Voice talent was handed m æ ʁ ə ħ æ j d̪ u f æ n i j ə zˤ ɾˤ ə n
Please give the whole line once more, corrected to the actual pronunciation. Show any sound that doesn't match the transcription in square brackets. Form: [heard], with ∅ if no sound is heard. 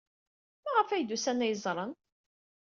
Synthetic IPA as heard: m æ ʁ ə [f] æ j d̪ u [s] æ n [æ] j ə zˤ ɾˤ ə n